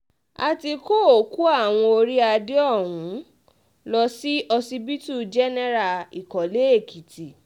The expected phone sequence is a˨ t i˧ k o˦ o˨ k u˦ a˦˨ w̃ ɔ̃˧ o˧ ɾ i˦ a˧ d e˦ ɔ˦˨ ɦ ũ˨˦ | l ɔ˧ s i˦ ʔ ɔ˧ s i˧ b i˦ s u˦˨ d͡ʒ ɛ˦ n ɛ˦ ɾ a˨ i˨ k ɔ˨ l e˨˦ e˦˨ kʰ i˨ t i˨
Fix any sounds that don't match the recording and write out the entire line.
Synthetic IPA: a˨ t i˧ k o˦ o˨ k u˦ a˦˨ w̃ ɔ̃˧ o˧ ɾ i˦ a˧ d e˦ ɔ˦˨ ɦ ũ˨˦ | l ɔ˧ s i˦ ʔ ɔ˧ s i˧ b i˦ t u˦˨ d͡ʒ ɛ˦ n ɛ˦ ɾ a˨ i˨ k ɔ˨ l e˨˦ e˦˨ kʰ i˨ t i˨